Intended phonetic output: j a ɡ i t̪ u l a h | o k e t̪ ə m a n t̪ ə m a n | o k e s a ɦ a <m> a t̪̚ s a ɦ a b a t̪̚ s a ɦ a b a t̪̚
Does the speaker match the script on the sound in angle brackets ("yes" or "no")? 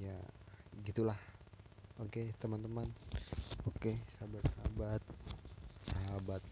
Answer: no